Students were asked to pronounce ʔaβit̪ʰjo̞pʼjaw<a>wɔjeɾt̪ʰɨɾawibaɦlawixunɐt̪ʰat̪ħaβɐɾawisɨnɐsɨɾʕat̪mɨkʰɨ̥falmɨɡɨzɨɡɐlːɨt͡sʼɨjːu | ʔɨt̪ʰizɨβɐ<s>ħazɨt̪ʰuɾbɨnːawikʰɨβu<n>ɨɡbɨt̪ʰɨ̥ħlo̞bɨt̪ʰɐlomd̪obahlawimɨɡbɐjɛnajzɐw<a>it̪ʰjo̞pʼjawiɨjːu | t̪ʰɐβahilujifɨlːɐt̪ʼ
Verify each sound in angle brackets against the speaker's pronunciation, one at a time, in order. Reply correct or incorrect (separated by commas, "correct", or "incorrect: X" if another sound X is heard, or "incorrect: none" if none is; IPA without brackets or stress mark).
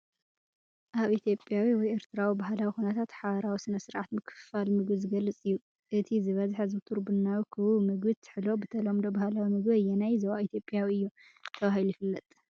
incorrect: i, incorrect: z, incorrect: m, correct